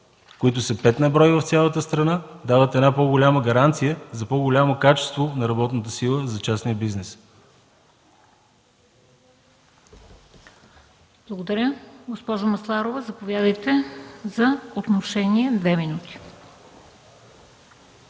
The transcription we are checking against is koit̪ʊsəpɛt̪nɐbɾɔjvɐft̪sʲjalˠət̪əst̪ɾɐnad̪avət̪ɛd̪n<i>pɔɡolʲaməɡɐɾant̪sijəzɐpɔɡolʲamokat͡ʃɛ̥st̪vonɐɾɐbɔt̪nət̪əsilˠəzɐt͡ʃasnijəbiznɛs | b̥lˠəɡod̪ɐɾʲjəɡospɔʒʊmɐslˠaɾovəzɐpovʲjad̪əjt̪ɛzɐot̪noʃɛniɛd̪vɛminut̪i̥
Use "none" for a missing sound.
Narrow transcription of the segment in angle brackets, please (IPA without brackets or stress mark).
a